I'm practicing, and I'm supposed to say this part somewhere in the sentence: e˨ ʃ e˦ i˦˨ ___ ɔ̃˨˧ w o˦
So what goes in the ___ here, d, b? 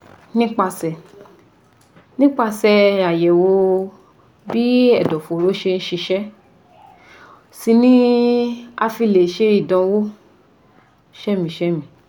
d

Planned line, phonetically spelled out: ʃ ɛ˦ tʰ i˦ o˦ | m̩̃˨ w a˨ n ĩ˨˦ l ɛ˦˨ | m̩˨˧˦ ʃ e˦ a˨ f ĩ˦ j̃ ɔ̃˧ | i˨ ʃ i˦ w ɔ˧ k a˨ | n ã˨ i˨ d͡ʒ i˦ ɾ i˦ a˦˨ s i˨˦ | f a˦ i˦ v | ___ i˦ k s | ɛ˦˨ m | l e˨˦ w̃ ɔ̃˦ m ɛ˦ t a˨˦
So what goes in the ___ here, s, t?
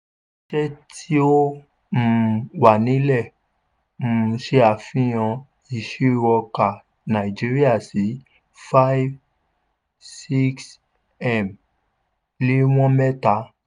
s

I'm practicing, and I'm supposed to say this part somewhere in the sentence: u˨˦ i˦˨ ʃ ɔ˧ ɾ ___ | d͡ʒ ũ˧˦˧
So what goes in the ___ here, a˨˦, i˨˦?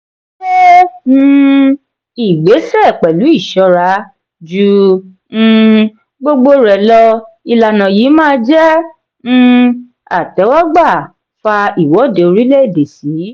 a˨˦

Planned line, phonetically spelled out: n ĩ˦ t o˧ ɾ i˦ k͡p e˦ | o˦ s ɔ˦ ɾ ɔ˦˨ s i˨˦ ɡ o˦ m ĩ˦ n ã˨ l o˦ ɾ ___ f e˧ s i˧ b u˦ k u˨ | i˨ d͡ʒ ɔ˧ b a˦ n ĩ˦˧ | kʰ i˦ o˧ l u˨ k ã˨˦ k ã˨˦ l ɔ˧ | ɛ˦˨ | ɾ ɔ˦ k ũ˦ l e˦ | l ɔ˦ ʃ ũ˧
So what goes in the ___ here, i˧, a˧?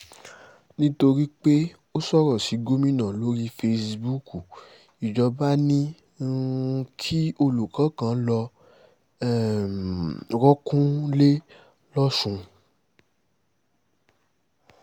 i˧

